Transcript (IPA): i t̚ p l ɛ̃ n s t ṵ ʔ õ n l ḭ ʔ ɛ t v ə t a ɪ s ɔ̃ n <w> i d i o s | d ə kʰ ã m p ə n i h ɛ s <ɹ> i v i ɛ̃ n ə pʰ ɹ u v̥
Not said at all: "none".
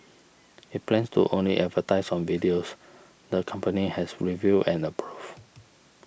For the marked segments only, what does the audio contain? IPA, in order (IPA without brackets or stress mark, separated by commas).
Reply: v, ɹ